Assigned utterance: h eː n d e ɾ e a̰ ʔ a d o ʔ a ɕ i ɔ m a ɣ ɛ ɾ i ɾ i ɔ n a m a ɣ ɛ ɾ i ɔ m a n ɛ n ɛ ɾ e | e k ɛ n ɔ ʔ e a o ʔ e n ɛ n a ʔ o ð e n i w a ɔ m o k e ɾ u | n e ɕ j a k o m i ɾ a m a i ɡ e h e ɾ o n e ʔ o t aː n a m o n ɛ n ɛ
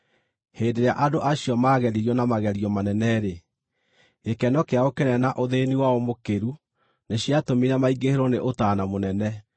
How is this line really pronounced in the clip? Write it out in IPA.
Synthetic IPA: h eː n d e ɾ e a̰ ʔ a d o ʔ a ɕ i ɔ m a ɣ ɛ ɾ i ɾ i ɔ n a m a ɣ ɛ ɾ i ɔ m a n ɛ n ɛ ɾ e | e k ɛ n ɔ k e a o k e n ɛ n a ʔ o ð e n i w a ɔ m o k e ɾ u | n e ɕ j a t o m i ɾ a m a i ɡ e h e ɾ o n e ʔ o t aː n a m o n ɛ n ɛ